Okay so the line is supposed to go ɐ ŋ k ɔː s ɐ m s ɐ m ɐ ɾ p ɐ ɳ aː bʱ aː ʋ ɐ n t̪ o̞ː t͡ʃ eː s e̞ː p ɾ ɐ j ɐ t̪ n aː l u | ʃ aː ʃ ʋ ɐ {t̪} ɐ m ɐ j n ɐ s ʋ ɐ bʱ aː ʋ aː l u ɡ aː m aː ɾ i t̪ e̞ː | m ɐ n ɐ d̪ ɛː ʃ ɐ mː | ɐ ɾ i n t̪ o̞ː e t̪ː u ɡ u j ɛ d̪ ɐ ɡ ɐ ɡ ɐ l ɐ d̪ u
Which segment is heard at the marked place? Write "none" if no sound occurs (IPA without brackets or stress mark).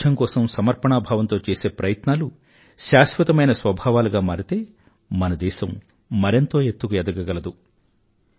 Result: t̪